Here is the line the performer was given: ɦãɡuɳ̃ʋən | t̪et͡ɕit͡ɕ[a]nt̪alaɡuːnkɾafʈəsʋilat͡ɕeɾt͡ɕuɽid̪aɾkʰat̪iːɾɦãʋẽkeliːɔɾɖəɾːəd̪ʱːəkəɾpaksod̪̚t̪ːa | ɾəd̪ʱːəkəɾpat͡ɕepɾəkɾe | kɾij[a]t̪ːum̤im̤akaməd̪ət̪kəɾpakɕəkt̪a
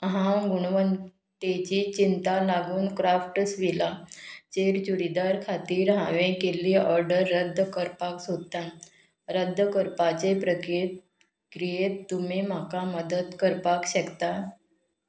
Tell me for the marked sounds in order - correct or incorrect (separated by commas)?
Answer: incorrect, incorrect